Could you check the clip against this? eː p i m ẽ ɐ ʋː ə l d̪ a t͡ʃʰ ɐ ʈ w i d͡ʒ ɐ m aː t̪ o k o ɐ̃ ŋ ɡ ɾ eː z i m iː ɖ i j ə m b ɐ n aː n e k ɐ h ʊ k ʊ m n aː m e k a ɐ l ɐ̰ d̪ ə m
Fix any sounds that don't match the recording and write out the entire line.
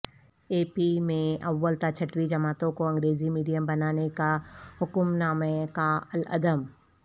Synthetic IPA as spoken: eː p i m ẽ ɐ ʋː ə l t̪ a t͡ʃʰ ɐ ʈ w i d͡ʒ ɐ m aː t̪ õ k o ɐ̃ ŋ ɡ ɾ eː z i m iː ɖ i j ə m b ɐ n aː n e k a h ʊ k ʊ m n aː m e k a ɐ l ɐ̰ d̪ ə m